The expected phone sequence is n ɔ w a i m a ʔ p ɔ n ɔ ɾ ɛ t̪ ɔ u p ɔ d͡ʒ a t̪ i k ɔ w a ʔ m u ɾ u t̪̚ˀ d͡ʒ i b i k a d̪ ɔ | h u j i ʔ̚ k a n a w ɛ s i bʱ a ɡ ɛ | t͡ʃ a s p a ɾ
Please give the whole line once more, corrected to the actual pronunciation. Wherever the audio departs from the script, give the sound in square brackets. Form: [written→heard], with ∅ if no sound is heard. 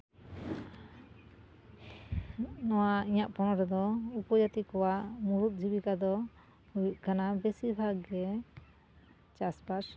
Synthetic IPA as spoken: n ɔ w a i [m→ɲ] a ʔ p ɔ n ɔ ɾ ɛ [t̪→d̪] ɔ u p ɔ d͡ʒ a t̪ i k ɔ w a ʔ m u ɾ u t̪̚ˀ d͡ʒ i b i k a d̪ ɔ | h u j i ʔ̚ k a n a [w→b] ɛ s i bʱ a ɡ ɛ | t͡ʃ a s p a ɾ